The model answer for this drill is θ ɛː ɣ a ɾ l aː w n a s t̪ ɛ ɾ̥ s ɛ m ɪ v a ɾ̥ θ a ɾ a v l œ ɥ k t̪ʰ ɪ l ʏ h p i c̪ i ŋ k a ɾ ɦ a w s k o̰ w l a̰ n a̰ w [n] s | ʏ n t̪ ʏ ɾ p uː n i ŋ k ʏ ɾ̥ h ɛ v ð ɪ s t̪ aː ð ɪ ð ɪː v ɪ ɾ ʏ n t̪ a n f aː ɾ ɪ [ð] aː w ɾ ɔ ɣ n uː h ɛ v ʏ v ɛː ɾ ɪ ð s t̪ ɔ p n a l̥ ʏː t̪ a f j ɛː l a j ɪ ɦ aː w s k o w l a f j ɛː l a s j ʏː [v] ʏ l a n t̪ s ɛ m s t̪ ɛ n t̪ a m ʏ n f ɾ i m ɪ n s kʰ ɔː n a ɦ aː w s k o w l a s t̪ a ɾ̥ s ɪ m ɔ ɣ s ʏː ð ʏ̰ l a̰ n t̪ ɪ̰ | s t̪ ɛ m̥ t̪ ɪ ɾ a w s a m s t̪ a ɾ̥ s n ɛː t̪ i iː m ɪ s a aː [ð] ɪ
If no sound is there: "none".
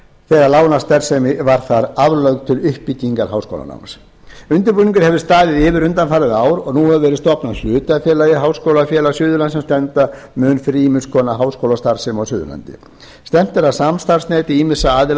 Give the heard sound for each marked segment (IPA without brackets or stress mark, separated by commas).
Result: m, ð, ð, ð